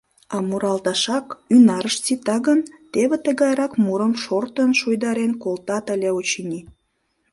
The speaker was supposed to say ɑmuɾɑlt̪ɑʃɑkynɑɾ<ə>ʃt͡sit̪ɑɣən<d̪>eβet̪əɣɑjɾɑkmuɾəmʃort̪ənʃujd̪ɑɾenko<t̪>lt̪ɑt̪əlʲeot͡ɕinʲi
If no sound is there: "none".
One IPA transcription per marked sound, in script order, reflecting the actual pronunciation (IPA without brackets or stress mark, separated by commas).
ə, t̪, none